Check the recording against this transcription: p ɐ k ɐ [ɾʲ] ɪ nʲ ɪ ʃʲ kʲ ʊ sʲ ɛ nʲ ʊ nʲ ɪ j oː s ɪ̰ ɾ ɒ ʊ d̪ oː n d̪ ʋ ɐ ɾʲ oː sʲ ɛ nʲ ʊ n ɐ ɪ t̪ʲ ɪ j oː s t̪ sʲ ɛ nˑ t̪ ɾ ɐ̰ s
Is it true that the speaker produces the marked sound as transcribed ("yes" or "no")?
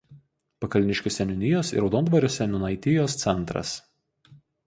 no